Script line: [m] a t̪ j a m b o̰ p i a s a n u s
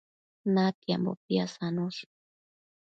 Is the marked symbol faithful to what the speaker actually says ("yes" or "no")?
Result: no